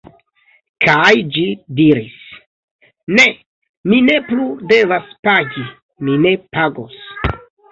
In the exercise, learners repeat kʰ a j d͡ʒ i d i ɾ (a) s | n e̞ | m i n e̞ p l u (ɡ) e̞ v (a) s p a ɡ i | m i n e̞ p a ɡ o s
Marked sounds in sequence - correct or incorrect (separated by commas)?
incorrect, incorrect, correct